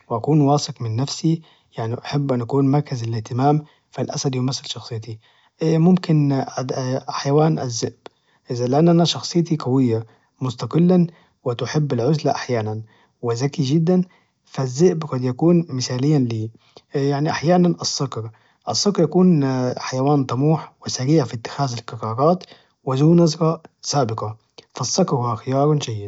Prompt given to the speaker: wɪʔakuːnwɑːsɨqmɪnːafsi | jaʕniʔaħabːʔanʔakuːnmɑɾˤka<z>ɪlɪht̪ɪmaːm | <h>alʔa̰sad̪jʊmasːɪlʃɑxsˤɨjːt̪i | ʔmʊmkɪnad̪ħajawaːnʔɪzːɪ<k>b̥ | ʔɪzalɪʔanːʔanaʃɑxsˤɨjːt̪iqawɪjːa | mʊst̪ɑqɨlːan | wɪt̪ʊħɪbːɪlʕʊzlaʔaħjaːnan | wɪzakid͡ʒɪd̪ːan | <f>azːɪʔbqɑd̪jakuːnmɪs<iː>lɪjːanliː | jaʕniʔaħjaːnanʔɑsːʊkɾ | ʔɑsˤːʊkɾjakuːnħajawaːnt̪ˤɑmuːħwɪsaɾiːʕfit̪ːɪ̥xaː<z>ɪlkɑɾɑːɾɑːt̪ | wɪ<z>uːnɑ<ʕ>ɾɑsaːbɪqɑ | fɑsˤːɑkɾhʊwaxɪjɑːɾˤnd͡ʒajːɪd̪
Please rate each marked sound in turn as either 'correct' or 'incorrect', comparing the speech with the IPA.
correct, incorrect: f, incorrect: ʔ, correct, incorrect: aː, correct, correct, incorrect: z

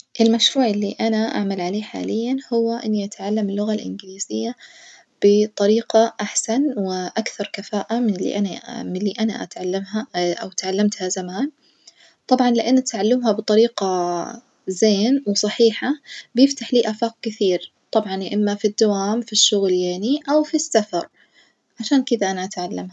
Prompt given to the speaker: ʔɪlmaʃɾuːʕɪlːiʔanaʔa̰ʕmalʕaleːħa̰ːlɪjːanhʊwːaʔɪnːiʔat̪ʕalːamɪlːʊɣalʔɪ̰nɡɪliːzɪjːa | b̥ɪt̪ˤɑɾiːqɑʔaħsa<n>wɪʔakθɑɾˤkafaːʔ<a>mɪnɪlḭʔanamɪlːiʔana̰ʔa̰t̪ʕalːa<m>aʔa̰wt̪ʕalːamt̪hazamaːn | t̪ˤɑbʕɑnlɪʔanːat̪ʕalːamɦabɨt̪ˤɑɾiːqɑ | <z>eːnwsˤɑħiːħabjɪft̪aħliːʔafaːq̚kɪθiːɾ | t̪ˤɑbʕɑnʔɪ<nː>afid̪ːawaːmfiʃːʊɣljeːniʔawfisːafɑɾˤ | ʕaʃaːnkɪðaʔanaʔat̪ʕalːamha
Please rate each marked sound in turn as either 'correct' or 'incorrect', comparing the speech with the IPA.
correct, correct, correct, correct, incorrect: mː

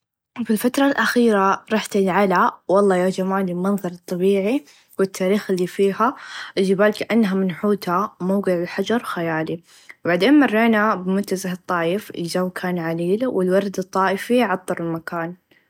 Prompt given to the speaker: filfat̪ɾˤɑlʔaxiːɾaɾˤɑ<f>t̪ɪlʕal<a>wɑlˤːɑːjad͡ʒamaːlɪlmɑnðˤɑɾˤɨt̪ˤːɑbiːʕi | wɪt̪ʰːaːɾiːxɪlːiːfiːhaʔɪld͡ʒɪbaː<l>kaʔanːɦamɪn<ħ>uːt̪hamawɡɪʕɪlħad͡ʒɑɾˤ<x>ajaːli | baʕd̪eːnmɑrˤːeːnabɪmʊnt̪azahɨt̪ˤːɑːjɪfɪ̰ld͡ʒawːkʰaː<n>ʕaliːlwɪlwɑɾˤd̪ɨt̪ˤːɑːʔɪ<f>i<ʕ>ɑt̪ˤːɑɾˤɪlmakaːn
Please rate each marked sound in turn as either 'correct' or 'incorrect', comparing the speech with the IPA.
incorrect: ħ, correct, correct, correct, correct, correct, correct, correct

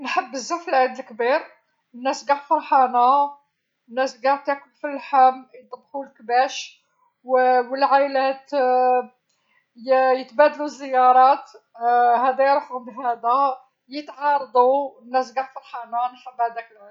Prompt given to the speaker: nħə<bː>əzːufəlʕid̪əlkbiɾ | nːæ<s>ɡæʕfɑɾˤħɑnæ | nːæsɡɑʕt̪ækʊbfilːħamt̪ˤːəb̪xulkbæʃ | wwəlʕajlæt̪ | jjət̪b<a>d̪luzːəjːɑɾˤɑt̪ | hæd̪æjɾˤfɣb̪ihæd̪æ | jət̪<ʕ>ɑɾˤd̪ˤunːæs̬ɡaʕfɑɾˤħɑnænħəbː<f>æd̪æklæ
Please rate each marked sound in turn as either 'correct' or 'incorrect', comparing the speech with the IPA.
correct, correct, incorrect: æ, correct, incorrect: h

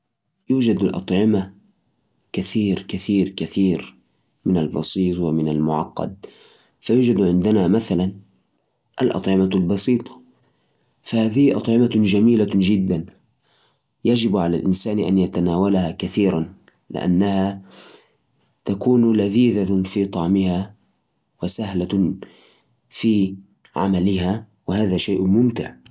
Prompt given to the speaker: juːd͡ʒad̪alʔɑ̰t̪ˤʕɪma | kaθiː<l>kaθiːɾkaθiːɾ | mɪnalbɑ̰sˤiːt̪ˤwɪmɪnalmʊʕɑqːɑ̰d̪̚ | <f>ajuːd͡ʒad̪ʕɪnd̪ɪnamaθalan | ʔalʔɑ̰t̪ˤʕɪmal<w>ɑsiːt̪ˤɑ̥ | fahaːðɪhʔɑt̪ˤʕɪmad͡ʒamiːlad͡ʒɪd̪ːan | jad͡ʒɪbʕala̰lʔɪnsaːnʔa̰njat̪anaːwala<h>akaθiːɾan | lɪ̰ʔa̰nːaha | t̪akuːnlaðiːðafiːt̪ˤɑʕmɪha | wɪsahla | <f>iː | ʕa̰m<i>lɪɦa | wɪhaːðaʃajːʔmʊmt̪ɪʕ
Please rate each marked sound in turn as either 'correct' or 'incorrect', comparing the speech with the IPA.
incorrect: ɾ, correct, incorrect: b, correct, correct, incorrect: a

